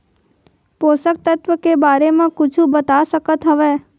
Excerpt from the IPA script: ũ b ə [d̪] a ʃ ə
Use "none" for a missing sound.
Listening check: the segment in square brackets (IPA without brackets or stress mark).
t̪